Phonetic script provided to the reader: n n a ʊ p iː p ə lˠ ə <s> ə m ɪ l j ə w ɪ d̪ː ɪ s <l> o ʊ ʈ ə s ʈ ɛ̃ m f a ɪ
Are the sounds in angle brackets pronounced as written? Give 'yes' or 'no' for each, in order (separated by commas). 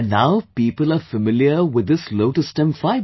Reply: no, yes